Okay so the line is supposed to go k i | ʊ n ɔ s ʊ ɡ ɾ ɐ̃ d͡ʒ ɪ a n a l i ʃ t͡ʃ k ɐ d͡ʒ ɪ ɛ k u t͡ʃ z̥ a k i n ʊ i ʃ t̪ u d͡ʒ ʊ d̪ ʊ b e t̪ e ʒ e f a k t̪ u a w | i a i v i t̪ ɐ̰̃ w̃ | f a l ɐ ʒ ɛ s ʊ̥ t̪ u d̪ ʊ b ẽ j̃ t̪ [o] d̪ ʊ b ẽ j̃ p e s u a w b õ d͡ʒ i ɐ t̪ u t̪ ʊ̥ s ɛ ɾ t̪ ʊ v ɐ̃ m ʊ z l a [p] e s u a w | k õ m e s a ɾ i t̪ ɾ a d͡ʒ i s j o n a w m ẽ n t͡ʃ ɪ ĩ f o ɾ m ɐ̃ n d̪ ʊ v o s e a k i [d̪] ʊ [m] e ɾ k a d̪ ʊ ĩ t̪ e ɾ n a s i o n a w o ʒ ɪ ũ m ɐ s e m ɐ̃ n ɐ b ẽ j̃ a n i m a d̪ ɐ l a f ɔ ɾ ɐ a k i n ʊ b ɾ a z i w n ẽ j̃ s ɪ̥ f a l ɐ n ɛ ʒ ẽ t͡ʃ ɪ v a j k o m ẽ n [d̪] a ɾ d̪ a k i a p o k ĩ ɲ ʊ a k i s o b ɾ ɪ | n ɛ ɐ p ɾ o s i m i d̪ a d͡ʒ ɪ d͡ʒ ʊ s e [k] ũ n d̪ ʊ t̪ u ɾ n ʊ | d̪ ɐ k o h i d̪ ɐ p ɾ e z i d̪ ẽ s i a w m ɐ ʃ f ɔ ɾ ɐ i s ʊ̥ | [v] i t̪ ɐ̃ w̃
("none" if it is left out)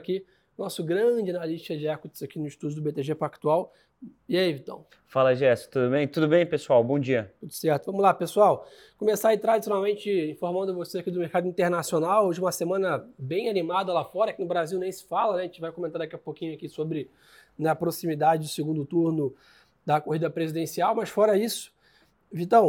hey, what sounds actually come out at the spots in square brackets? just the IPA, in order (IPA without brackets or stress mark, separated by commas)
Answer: u, p, d̪, m, t̪, ɡ, v